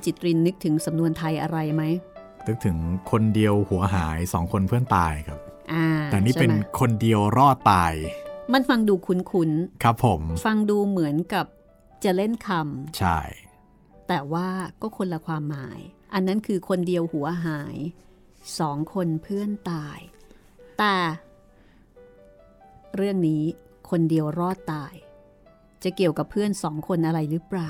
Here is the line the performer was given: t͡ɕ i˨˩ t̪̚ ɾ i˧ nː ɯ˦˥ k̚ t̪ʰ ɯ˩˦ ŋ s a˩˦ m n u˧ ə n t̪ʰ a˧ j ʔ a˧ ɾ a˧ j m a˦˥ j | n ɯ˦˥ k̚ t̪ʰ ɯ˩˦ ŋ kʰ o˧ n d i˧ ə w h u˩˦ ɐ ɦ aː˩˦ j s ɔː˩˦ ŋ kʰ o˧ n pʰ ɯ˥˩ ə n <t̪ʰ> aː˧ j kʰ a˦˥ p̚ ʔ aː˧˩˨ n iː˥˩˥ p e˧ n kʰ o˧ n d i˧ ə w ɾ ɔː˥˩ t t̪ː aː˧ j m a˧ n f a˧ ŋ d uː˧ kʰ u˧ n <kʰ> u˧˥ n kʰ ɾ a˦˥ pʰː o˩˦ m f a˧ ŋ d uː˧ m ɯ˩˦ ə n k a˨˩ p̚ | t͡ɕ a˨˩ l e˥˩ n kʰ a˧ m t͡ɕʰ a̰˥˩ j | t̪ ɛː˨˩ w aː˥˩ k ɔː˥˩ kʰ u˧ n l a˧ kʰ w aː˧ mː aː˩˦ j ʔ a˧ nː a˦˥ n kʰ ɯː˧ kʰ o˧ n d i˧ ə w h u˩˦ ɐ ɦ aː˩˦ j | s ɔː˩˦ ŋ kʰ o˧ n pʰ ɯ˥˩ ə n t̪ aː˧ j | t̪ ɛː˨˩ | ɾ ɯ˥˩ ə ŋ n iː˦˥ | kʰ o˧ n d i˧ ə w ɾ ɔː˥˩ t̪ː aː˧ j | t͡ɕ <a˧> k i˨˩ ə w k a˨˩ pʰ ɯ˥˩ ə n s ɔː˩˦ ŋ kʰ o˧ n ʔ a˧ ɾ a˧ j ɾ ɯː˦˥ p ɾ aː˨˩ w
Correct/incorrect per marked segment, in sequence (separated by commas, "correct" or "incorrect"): incorrect, correct, incorrect